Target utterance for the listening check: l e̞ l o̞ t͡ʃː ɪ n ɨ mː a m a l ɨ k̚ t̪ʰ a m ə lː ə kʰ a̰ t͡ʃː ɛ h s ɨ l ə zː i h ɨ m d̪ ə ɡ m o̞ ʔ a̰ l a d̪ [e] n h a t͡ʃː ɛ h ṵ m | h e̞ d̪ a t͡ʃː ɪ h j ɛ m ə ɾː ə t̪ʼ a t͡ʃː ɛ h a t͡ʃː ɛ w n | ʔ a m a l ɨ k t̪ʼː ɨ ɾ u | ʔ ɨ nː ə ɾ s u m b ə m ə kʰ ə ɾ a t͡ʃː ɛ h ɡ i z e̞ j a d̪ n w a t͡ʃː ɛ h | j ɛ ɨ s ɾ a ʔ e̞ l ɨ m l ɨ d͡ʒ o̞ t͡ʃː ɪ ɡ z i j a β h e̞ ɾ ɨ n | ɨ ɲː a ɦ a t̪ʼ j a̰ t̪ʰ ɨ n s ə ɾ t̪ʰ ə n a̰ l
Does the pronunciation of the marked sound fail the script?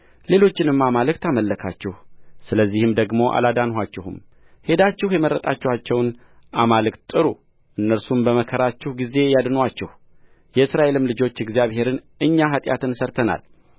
yes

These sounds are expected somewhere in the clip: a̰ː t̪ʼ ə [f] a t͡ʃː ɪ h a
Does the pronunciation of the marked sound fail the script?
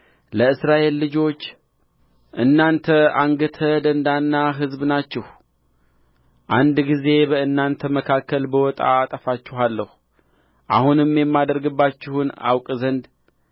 no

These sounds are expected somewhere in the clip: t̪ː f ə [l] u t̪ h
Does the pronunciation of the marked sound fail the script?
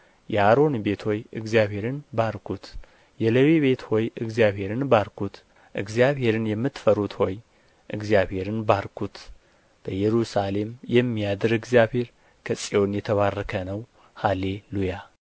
yes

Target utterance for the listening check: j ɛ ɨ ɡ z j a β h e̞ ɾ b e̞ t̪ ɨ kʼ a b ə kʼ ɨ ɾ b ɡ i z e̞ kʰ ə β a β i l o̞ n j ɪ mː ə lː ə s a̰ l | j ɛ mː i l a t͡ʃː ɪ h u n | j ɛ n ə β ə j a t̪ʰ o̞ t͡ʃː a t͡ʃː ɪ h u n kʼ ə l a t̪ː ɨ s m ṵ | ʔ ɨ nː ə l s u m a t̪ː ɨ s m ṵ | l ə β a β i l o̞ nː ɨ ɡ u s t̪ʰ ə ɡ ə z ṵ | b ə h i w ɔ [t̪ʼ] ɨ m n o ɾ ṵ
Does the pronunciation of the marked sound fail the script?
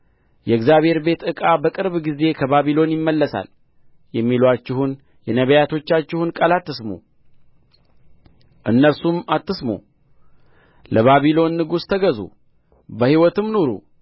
yes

